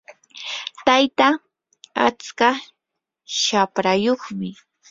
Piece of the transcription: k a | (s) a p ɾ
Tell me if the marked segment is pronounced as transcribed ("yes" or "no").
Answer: no